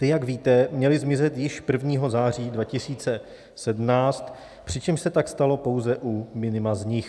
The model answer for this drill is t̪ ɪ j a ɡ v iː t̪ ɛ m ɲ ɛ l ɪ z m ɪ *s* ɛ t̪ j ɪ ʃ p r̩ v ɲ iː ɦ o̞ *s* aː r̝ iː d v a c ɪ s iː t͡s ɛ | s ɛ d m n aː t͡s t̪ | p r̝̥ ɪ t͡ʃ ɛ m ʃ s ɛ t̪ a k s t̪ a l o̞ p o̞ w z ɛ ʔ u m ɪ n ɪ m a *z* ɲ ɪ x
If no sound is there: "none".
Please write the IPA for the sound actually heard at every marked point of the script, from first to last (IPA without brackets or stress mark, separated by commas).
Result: z, z, z